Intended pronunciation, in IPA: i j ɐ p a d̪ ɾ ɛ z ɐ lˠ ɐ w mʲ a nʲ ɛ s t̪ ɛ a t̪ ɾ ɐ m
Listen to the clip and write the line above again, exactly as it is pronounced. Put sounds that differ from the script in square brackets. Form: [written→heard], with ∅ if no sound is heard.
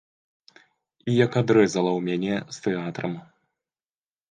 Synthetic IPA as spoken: i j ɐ [p→k] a d̪ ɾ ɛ z ɐ lˠ ɐ w mʲ a nʲ ɛ s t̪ ɛ a t̪ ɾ ɐ m